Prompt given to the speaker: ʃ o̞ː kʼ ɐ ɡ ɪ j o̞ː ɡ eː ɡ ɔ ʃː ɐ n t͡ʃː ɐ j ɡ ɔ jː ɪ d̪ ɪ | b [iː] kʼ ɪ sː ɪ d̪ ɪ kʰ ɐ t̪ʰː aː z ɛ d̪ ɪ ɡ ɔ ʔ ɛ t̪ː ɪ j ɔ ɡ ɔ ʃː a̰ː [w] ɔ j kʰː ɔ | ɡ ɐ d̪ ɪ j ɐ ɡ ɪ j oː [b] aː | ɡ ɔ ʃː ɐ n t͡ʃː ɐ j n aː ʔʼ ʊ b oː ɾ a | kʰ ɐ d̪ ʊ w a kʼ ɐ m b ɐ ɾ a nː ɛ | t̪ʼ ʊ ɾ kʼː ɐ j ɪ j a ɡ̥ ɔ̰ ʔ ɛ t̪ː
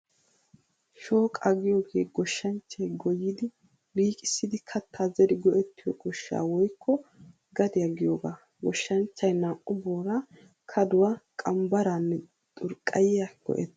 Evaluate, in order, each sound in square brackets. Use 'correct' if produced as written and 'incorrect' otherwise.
correct, correct, incorrect

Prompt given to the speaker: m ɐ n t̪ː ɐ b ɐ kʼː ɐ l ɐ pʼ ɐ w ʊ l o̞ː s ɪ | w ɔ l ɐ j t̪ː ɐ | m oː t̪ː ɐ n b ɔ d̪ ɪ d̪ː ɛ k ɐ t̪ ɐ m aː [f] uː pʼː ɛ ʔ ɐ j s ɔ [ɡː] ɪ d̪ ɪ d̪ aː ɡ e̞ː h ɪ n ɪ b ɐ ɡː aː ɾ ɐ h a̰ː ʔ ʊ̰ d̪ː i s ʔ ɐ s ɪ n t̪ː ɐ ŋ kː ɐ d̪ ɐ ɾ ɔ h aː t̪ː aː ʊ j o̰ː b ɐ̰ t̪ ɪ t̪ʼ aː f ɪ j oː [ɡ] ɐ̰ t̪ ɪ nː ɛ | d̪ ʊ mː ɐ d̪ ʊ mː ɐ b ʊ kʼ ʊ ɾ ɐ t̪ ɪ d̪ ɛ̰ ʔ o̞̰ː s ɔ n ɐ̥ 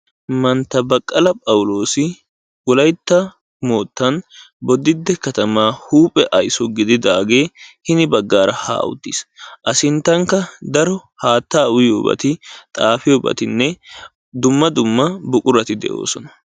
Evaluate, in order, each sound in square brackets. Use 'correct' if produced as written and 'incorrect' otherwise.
incorrect, incorrect, incorrect

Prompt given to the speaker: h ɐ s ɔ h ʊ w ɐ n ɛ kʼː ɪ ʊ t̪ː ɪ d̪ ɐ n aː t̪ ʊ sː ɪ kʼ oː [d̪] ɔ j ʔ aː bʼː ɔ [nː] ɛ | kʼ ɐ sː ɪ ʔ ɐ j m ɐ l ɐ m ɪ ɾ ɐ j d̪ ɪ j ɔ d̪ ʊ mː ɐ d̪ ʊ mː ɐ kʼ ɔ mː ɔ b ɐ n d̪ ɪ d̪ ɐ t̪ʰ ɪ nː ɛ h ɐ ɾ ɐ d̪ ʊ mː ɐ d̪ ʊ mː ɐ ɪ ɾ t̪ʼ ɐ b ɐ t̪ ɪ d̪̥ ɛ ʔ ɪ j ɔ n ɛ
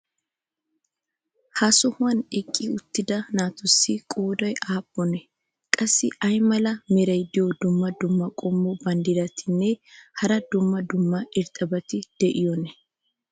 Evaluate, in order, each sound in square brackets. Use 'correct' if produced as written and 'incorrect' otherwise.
correct, incorrect

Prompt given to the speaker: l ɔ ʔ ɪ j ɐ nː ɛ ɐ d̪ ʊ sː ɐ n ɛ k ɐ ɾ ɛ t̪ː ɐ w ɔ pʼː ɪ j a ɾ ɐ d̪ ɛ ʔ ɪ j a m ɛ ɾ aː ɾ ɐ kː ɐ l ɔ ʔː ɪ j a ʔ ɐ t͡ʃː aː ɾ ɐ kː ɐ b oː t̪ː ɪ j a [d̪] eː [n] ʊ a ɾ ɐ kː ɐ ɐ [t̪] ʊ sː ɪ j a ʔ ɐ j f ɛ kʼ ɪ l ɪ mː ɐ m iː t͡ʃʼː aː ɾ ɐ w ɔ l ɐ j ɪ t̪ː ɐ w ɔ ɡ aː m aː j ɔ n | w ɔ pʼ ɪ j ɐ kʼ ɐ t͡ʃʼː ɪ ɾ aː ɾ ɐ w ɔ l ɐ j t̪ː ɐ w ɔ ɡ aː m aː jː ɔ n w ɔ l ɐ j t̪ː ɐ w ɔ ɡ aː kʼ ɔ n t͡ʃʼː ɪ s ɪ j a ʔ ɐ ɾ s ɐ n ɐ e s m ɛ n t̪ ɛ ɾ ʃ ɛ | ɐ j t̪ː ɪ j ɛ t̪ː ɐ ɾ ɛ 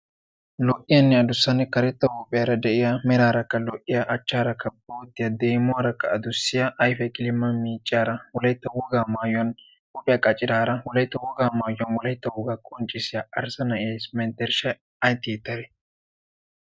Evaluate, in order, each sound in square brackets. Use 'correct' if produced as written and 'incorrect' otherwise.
correct, incorrect, incorrect

